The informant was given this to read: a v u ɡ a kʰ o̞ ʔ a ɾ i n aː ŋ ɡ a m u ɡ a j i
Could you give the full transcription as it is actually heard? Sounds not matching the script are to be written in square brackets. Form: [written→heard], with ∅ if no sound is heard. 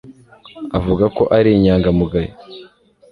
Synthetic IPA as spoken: a v u ɡ a [kʰ→k] o̞ ʔ a ɾ i [n→ɲ] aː ŋ ɡ a m u ɡ a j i